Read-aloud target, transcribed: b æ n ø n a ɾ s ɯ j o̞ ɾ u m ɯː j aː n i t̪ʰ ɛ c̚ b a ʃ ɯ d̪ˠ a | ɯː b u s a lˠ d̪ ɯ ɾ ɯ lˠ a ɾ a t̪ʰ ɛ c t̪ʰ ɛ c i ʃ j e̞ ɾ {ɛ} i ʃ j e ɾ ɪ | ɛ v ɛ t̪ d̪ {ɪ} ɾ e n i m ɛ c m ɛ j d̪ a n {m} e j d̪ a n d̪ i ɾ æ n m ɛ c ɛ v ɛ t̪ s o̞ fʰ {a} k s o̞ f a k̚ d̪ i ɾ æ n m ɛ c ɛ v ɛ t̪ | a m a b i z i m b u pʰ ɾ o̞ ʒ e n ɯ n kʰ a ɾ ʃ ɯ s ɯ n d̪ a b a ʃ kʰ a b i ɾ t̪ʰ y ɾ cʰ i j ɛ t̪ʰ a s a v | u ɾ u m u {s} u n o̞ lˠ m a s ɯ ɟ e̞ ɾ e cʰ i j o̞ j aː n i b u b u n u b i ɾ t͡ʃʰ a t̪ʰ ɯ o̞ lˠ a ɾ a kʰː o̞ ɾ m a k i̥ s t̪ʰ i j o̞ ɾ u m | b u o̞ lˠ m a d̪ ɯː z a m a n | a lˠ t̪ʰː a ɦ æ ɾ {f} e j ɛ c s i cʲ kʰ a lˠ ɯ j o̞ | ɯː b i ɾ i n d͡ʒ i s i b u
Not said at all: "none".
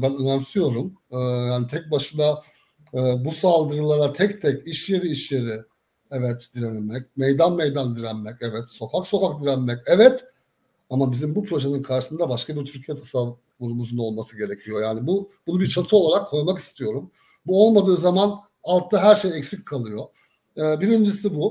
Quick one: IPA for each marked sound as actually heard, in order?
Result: i, i, m, a, z, ʃ

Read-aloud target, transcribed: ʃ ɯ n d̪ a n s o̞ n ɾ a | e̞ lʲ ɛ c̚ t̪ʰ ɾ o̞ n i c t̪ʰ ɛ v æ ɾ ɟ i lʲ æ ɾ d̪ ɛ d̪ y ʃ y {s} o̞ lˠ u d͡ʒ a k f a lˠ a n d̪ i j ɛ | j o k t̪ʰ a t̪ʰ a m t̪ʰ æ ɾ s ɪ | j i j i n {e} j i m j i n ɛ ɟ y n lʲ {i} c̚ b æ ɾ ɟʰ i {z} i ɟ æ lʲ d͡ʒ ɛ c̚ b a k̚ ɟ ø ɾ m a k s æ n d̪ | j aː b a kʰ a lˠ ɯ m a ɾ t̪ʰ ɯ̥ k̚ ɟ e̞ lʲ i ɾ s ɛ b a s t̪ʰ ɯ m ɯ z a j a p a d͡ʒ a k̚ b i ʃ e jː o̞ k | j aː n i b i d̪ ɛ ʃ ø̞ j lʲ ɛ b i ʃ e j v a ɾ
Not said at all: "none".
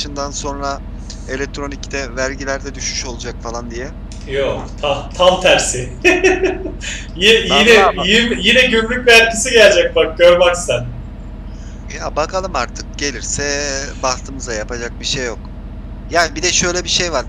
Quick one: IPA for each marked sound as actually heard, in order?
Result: ʃ, ɛ, y, s

